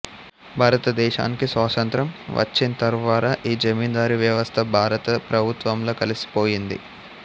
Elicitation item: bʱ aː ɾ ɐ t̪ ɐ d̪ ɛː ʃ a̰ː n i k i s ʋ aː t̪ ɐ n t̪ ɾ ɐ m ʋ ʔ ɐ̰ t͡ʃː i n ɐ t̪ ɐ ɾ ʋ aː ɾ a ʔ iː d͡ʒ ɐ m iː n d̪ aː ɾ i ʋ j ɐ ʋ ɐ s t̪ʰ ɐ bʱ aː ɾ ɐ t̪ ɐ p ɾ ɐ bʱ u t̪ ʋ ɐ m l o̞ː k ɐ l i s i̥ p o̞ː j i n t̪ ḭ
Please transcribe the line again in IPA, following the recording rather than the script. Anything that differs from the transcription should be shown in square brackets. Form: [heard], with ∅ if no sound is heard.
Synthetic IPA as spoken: bʱ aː ɾ ɐ t̪ ɐ d̪ ɛː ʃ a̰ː n i k i s ʋ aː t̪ ɐ n t̪ ɾ ɐ m ʋ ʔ ɐ̰ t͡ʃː i n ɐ t̪ ɐ ɾ ʋ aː ɾ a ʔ iː d͡ʒ ɐ m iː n d̪ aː ɾ i ʋ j ɐ ʋ ɐ s t̪ʰ ɐ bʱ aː ɾ ɐ t̪ ɐ p ɾ ɐ bʱ u t̪ ʋ ɐ m l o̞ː k ɐ l i s i̥ p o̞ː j i n [d̪] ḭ